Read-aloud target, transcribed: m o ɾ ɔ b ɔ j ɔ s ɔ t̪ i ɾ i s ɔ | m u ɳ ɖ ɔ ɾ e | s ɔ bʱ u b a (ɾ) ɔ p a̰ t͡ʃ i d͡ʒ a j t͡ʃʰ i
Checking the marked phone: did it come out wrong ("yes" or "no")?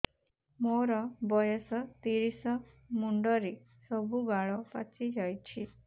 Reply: yes